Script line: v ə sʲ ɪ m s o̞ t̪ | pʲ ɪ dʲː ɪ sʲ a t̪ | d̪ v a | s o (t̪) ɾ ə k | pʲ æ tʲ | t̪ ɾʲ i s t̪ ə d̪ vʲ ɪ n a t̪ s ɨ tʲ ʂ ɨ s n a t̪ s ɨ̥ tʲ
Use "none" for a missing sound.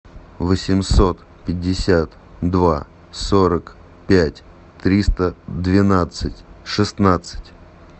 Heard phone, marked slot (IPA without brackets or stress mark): none